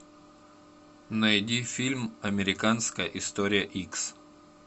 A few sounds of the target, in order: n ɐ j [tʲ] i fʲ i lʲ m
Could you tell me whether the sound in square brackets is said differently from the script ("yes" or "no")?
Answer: yes